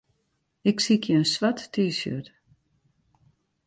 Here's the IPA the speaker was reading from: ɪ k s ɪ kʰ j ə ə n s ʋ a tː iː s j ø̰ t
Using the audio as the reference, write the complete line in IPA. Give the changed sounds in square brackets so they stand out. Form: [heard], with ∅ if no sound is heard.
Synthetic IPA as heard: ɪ k s [i] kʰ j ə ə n s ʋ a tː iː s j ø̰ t

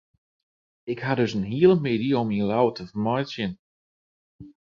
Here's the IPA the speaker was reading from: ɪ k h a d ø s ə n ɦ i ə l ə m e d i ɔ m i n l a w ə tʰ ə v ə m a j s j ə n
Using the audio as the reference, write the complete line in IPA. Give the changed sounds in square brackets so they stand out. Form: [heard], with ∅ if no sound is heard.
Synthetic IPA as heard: ɪ k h a d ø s ə n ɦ i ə l ə m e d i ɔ m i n l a w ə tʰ ə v ə m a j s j ə n

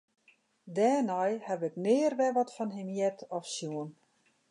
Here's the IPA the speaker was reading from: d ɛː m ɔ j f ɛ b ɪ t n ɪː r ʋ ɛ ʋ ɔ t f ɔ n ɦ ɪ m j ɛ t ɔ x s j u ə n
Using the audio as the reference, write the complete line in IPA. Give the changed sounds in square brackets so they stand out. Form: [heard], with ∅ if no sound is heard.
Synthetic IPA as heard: d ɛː [n] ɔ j [h] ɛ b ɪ [k] n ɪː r ʋ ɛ ʋ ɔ t f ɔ n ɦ ɪ m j ɛ t ɔ [f] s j u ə n

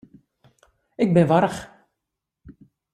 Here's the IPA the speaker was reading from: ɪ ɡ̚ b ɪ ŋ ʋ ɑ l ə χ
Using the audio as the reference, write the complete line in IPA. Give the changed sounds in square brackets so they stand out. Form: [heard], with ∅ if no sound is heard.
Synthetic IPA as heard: ɪ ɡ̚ b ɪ [n] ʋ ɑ [ɾ] ə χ

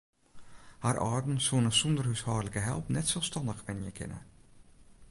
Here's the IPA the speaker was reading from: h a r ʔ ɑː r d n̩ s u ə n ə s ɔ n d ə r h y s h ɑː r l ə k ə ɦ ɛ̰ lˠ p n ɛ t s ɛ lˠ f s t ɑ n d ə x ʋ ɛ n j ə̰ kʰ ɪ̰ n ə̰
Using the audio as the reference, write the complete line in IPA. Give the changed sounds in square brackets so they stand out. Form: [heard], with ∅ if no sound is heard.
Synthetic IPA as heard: h a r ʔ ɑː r d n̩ s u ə n ə s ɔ n d ə r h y s h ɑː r l ə k ə ɦ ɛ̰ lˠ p n ɛ t s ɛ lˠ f s t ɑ n d ə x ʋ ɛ n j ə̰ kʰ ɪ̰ n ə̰

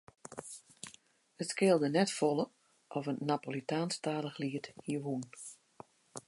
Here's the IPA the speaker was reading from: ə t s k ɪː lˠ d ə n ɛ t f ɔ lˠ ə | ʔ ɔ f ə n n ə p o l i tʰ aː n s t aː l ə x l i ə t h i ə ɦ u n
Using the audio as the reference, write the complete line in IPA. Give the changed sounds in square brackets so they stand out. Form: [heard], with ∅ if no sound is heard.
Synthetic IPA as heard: ə t s k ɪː lˠ d ə n ɛ t f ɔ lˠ ə | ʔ ɔ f ə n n [a] p o l i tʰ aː n s t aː l ə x l i ə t h i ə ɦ u n

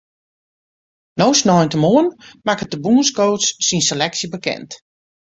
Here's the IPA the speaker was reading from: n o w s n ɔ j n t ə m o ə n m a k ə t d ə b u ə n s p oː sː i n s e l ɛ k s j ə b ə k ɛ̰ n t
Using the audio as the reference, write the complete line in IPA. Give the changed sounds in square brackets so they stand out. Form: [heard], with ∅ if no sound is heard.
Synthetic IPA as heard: n o w s n ɔ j n t ə m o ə n m a k ə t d ə b u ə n s [k] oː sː i n s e l ɛ k s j ə b ə k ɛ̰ n t

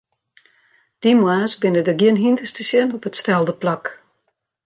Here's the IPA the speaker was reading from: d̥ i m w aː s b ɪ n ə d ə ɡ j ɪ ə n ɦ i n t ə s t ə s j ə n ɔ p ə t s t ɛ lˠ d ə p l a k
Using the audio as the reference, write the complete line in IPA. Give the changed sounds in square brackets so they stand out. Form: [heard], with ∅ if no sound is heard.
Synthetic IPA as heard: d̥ i m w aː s b ɪ n ə d ə ɡ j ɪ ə n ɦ i n t ə s t ə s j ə n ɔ p ə t s t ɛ lˠ d ə p l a k

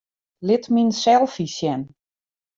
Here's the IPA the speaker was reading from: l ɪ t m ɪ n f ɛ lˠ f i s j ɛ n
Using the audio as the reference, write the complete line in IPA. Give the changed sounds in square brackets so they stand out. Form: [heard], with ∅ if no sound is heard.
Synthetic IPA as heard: l ɪ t m [i] n [s] ɛ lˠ f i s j ɛ n

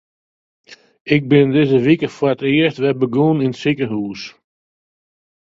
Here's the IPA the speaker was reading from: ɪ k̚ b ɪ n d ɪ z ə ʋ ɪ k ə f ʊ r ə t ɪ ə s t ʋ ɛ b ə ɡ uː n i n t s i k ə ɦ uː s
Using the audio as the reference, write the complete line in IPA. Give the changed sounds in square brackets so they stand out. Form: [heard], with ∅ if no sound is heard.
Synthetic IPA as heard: ɪ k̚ b ɪ n d ɪ z ə ʋ [i] k ə f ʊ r ə t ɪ ə s t ʋ ɛ b ə ɡ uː n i n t s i k ə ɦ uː s

